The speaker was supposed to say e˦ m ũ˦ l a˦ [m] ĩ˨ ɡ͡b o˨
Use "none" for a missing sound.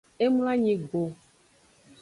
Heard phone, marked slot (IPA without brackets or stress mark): ɲ